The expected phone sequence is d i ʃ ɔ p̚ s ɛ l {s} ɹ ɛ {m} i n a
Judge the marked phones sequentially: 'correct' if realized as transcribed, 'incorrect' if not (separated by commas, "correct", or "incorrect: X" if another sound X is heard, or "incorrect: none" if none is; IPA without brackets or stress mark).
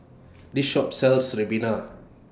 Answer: correct, incorrect: b